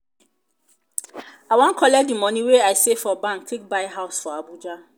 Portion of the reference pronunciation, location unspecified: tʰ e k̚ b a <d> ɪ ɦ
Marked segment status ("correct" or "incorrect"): incorrect